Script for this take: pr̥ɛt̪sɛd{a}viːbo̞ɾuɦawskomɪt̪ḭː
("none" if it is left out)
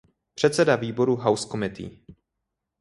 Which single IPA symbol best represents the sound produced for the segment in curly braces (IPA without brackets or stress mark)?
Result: a